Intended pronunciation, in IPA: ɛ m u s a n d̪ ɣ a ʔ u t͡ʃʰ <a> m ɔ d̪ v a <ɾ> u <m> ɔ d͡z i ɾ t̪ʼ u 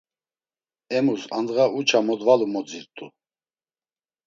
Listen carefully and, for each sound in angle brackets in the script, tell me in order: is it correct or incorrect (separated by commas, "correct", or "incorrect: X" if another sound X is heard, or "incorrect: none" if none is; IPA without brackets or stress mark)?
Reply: correct, incorrect: l, correct